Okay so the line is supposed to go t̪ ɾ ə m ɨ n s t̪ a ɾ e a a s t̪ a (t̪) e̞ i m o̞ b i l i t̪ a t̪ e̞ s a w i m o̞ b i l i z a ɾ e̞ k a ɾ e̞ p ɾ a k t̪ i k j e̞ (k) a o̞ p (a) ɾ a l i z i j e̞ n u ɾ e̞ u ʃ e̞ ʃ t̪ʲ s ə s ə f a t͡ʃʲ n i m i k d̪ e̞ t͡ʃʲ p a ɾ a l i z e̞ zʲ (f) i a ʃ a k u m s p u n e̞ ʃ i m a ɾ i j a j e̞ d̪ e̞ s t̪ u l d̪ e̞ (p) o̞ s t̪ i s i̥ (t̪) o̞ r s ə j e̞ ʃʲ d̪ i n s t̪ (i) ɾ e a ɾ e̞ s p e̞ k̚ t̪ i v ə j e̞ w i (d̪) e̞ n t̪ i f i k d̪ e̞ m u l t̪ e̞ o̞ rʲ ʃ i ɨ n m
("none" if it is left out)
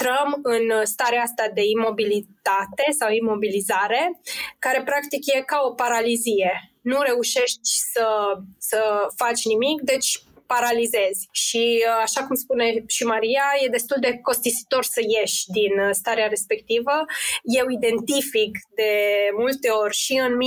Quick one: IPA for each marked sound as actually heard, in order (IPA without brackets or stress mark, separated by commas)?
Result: d̪, k, a, ʃ, k, t̪, a, d̪